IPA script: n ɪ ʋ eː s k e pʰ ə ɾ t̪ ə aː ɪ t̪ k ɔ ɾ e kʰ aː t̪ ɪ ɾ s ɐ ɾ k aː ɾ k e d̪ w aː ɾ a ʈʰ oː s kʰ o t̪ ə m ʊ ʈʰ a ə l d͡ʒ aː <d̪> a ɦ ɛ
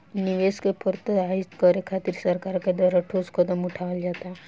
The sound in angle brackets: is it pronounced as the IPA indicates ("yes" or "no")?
no